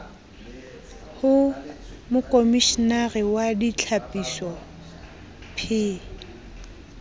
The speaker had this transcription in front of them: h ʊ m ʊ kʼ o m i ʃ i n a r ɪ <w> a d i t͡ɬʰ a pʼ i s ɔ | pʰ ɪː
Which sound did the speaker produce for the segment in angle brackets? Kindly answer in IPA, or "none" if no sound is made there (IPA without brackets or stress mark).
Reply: w